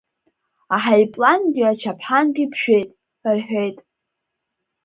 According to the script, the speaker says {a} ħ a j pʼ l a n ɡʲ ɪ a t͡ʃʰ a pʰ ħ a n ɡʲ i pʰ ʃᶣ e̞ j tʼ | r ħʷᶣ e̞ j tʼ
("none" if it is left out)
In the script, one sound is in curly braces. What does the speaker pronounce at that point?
a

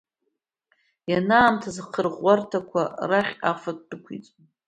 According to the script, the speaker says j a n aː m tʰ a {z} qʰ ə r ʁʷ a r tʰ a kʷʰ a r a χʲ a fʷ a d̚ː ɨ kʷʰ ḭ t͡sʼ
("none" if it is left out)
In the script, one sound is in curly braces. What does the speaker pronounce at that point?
z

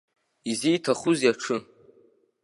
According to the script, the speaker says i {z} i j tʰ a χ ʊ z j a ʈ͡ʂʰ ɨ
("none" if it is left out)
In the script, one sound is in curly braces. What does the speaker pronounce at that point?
z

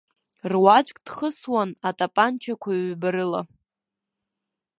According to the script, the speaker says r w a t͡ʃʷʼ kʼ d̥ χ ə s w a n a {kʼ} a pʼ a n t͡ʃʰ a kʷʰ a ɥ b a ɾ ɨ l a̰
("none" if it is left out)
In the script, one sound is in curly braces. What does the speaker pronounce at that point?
tʼ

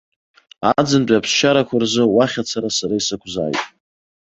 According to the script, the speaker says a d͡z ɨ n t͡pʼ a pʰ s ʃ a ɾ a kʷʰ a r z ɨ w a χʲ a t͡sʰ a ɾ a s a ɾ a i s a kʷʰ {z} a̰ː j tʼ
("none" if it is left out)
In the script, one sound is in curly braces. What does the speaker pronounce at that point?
z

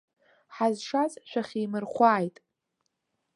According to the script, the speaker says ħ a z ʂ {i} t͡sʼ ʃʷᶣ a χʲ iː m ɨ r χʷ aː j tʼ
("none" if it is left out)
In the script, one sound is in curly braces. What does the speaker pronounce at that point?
a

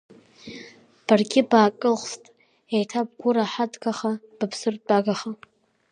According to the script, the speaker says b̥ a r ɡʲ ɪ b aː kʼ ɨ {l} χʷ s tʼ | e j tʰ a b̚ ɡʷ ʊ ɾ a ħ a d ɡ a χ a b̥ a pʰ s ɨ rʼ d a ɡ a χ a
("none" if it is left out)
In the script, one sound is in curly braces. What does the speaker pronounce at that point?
l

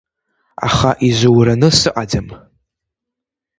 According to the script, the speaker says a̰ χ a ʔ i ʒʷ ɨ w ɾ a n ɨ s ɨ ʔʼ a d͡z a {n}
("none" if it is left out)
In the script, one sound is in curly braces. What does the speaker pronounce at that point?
m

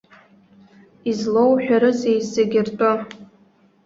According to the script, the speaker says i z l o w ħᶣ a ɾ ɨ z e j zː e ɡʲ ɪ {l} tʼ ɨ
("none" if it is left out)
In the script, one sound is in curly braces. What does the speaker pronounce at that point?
r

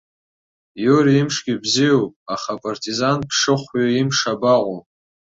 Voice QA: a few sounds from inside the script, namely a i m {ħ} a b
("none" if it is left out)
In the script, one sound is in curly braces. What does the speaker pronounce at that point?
ʂ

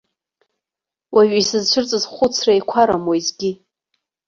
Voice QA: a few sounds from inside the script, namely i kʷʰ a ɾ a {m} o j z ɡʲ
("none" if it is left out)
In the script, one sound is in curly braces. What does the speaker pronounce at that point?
m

